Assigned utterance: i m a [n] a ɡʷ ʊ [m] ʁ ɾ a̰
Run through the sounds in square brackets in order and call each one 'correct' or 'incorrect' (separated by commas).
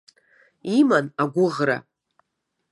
correct, incorrect